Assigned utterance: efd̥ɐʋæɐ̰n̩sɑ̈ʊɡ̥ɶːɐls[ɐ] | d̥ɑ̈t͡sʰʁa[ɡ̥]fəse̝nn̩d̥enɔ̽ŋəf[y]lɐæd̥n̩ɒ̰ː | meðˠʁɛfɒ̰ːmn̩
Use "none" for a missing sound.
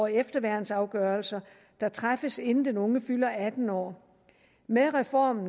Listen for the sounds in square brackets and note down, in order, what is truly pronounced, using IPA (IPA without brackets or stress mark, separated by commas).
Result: ɐ, none, y